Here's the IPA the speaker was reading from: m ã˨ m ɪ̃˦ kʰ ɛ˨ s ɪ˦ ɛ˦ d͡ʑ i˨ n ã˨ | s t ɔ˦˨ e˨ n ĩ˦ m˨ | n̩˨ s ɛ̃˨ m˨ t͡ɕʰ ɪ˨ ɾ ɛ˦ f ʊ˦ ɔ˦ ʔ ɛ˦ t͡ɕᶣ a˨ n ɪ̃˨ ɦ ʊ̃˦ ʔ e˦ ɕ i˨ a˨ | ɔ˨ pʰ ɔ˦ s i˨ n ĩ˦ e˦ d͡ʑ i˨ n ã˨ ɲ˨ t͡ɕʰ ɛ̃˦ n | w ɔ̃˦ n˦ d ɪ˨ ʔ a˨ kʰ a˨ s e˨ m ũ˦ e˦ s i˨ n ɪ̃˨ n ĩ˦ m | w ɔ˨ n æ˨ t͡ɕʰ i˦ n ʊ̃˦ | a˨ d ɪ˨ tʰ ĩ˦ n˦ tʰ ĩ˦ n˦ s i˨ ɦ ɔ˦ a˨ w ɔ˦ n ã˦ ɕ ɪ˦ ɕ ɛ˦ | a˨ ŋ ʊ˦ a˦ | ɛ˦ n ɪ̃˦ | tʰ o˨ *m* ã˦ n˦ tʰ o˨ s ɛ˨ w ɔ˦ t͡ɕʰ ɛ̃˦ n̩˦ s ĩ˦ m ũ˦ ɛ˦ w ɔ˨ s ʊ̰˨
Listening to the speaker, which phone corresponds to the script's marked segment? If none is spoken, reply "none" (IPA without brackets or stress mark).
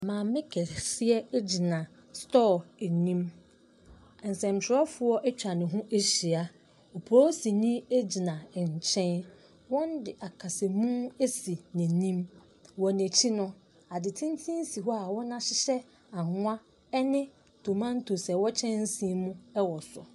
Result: m